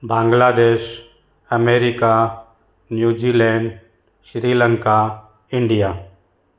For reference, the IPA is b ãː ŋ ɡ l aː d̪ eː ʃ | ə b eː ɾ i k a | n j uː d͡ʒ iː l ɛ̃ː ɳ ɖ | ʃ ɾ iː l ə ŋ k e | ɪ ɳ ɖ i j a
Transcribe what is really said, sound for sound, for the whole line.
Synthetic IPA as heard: b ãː ŋ ɡ l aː d̪ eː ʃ | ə m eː ɾ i k a | n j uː d͡ʒ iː l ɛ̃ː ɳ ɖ | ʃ ɾ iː l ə ŋ k a | ɪ ɳ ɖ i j a